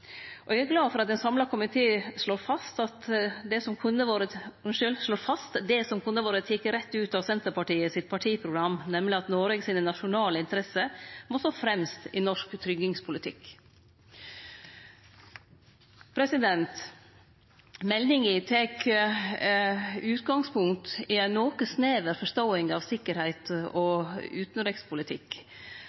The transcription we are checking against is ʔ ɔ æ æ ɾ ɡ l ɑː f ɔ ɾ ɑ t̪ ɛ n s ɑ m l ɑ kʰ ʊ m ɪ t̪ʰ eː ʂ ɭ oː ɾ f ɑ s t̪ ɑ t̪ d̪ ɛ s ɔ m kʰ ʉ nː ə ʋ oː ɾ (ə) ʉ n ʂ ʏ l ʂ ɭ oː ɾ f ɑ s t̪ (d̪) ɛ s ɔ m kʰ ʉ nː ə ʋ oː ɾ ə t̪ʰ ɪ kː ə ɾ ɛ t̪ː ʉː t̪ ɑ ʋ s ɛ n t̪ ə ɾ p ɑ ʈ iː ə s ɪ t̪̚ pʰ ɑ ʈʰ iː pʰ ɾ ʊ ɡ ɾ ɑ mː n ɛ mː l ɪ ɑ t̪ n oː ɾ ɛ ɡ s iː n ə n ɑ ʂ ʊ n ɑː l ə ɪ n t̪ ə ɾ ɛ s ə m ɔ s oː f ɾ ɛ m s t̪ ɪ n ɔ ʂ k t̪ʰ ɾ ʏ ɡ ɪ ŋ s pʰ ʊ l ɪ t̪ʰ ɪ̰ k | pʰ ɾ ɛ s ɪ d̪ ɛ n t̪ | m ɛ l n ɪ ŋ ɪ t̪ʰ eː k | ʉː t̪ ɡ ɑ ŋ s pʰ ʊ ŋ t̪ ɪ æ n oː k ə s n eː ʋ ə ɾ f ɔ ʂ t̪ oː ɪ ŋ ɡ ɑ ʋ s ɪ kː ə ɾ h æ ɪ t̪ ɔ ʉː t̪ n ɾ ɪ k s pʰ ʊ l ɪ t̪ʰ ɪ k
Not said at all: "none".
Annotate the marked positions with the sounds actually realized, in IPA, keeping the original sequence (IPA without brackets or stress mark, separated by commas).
ə, d̪